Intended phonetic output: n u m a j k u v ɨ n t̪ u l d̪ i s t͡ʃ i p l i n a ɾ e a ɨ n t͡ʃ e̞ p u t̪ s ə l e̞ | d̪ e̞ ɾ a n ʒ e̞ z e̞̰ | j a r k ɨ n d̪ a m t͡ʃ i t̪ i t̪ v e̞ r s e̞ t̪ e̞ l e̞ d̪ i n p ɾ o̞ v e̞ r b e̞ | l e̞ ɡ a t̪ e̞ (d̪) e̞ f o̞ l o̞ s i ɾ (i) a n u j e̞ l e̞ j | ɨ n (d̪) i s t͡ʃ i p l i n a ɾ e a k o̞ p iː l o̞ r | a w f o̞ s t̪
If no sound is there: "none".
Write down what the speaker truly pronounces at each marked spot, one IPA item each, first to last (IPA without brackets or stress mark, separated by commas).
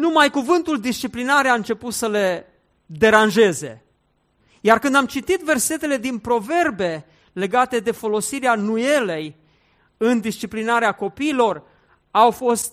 d̪, e, d̪